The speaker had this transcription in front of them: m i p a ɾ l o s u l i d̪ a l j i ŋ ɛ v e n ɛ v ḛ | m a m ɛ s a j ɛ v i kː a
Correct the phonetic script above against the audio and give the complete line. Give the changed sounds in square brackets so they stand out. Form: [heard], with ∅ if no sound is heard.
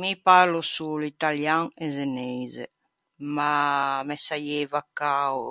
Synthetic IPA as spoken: m i p a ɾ l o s u l i [t̪] a l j [a] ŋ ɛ [z] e n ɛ [z] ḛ | m a m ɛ s a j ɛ v [a] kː a

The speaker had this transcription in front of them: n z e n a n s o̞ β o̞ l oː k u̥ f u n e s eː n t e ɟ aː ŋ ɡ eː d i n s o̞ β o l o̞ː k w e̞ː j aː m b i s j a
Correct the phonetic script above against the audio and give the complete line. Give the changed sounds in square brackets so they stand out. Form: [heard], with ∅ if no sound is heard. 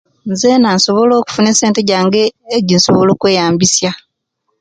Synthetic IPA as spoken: n z e n a n s o̞ β o̞ l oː k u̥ f u n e s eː n t e ɟ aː ŋ ɡ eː [ɟ] i n s o̞ β o l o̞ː k w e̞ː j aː m b i s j a

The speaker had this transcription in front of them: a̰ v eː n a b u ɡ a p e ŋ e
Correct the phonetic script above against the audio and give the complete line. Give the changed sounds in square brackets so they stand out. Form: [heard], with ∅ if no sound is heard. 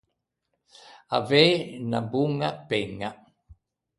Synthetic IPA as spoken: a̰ v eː n a b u [ŋ] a p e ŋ [a]

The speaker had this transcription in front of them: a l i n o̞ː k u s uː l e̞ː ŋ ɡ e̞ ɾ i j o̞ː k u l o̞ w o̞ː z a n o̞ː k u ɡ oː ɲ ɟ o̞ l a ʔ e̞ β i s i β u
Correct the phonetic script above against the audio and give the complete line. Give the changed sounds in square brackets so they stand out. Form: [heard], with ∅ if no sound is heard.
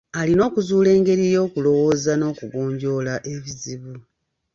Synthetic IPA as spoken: a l i n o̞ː k u [z] uː l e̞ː ŋ ɡ e̞ ɾ i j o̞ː k u l o̞ w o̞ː z a n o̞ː k u ɡ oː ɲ ɟ o̞ l a ʔ e̞ β i [z] i β u

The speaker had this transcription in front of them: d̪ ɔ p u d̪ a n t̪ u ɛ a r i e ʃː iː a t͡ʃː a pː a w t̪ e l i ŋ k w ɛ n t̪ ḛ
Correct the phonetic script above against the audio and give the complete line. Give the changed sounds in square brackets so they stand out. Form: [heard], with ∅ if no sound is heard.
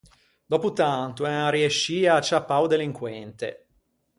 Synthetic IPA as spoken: d̪ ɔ p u [t̪] a n t̪ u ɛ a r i e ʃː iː a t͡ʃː a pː a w [d̪] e l i ŋ k w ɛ n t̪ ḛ

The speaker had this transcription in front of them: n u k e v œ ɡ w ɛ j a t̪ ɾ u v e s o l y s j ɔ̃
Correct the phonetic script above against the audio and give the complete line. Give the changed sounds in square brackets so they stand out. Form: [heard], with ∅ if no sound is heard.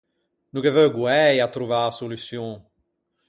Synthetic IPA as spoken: n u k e v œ ɡ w ɛ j a t̪ ɾ u v [a] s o l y s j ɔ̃

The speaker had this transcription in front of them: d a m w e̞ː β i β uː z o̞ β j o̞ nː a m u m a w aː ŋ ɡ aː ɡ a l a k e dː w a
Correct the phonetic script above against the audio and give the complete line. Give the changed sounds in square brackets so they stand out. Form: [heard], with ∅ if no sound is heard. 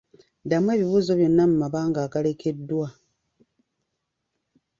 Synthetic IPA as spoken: d a m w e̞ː β i β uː z o̞ β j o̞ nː a m u m a [β] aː ŋ ɡ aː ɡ a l [e] k e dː w a

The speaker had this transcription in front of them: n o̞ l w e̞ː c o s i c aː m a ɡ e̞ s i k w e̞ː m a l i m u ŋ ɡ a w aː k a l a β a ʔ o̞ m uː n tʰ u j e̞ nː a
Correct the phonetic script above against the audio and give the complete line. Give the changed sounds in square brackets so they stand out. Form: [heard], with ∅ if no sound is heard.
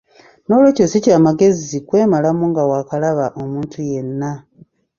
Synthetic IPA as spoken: n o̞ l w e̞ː c o s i c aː m a ɡ e̞ [z] i k w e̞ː m a l [a] m u ŋ ɡ a w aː k a l a β a ʔ o̞ m uː n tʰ u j e̞ nː a

